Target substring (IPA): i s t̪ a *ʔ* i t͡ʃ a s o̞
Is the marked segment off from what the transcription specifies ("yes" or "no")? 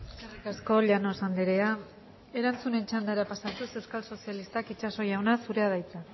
yes